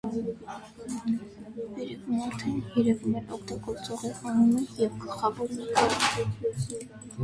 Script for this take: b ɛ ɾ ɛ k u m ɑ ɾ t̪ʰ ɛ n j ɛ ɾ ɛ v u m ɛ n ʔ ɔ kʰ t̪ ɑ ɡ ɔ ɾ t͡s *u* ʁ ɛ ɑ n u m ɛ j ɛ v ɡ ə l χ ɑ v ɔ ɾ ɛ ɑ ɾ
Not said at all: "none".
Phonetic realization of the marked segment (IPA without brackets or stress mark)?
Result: ɔ